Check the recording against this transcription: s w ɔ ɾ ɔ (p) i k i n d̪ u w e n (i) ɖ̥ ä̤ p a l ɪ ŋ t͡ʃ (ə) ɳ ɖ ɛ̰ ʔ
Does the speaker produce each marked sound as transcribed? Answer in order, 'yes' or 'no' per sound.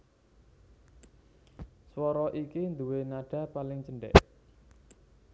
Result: no, no, yes

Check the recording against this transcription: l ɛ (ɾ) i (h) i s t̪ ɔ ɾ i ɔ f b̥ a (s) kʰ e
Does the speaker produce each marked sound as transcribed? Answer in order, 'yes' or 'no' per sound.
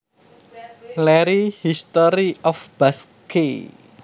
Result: yes, yes, yes

